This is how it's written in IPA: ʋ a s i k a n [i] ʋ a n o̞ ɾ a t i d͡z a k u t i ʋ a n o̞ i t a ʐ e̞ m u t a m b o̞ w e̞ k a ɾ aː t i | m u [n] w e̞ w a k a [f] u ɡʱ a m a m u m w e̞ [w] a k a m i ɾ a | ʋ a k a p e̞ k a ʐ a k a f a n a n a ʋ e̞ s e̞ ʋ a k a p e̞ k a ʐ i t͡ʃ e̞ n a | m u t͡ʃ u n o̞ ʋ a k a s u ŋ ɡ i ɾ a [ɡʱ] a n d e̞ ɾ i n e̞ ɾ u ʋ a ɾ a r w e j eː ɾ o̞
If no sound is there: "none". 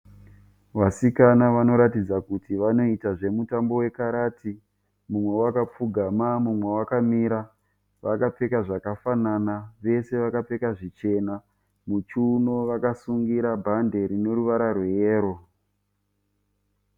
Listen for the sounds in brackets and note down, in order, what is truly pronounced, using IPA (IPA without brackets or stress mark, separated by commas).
a, m, p͡f, w, bʱ